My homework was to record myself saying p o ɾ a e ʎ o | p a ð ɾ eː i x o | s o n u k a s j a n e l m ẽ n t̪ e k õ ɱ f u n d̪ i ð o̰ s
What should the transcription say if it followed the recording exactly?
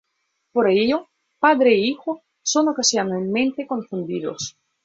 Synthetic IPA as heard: p o ɾ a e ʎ o | p a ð ɾ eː i x o | s o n o k a s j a n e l m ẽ n t̪ e k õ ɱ f u n d̪ i ð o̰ s